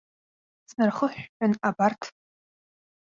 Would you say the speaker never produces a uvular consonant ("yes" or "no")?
no